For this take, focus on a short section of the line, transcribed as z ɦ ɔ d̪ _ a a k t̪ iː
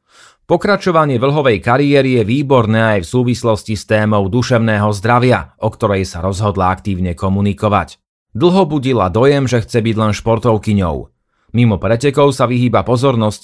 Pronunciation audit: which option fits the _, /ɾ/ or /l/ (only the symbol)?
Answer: l